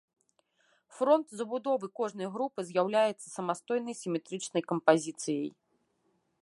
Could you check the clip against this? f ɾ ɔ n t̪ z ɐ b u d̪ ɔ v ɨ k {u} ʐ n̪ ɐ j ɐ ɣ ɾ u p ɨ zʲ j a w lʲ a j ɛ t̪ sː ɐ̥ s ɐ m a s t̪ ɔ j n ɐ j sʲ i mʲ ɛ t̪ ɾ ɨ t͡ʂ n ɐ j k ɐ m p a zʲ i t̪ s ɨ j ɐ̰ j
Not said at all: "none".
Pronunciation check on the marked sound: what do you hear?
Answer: ɔ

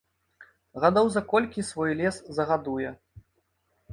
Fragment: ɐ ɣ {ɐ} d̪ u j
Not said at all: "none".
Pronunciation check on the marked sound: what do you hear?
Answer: a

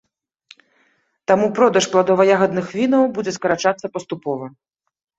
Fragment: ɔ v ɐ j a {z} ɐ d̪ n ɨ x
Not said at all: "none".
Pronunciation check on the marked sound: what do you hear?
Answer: ɣ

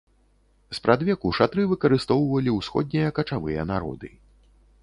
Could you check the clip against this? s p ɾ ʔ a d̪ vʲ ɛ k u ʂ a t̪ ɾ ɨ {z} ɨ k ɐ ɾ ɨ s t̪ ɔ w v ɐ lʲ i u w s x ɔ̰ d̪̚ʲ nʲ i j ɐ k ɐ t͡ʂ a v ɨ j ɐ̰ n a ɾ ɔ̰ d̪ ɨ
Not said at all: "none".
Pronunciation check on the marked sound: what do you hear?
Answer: v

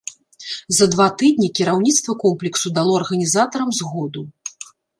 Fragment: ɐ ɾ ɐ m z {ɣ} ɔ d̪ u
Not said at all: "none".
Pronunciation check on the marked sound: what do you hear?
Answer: ɣ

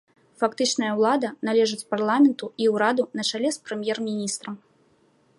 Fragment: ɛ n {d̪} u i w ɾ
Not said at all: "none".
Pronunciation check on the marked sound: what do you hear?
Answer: t̪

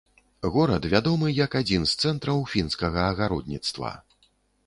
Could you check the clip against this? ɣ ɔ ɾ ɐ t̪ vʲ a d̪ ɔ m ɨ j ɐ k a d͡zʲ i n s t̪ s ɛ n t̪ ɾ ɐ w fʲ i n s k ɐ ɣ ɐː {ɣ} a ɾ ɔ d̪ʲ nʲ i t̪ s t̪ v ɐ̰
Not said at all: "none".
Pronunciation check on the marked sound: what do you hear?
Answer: ɣ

